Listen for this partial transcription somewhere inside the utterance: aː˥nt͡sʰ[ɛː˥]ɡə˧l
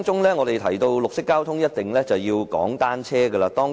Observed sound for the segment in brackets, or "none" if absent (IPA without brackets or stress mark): ɛː˥